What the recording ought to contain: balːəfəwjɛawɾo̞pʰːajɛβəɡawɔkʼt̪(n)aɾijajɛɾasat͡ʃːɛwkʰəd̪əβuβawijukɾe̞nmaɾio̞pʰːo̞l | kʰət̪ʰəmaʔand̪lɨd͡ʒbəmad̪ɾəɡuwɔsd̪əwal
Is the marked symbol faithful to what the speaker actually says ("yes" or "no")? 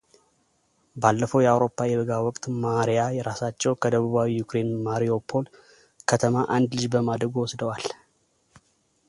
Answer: no